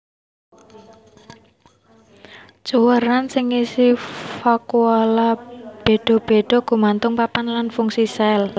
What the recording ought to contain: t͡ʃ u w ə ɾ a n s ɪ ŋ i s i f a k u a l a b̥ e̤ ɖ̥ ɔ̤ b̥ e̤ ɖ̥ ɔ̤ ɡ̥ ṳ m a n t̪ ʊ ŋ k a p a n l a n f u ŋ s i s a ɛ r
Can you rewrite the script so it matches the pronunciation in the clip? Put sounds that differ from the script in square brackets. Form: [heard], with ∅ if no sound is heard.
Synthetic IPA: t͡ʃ u w ə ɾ a n s ɪ ŋ i s i f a k u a l a b̥ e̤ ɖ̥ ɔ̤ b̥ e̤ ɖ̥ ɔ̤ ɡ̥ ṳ m a n t̪ ʊ ŋ [p] a p a n l a n f u ŋ s i s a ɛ [l]